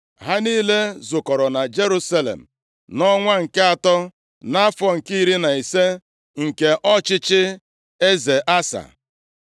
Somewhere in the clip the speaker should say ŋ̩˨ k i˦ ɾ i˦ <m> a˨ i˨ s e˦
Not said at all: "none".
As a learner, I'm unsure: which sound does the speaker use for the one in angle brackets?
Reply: n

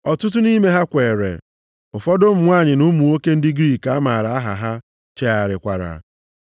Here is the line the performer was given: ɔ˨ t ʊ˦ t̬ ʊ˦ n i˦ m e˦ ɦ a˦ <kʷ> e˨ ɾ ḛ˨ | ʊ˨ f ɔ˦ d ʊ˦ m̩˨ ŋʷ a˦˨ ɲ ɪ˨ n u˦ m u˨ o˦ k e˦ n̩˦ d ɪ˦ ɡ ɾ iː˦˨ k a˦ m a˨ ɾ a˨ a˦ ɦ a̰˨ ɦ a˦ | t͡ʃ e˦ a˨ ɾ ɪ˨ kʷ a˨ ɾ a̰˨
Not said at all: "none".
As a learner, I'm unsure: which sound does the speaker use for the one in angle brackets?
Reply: kʷ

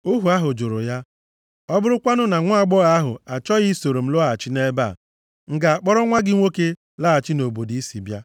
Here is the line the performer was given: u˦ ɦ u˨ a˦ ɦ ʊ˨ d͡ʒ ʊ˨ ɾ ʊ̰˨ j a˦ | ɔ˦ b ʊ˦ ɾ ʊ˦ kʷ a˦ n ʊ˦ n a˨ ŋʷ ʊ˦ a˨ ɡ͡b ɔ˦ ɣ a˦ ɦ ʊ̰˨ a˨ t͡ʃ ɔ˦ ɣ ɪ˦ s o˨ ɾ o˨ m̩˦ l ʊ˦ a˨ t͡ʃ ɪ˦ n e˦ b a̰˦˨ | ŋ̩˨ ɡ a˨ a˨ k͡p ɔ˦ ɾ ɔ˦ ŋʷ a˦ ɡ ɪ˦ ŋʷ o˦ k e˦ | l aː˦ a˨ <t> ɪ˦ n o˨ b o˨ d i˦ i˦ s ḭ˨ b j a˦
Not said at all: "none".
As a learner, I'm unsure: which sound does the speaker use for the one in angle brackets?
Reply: t͡ʃ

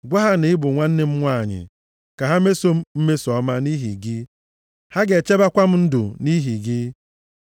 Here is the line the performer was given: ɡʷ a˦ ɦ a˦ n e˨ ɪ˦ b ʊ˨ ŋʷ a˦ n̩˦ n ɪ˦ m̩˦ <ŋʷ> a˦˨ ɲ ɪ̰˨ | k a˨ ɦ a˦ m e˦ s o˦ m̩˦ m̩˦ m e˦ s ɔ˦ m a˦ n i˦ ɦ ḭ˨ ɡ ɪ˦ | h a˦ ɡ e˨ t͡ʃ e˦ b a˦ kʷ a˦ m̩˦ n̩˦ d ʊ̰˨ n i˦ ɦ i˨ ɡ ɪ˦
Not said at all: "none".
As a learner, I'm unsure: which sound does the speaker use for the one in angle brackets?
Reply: ŋʷ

